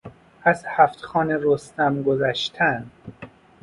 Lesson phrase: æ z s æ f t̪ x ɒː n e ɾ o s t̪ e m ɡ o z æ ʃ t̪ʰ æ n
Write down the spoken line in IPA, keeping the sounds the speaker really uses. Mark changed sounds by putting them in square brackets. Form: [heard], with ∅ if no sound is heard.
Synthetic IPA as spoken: æ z [h] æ f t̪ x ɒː n e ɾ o s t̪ [æ] m ɡ o z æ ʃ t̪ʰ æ n